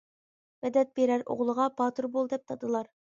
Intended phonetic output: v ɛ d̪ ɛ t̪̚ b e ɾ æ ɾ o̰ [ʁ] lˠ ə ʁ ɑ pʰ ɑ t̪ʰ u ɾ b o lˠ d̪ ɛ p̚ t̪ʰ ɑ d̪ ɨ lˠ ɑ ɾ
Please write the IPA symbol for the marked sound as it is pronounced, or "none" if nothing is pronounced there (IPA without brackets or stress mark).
ʁ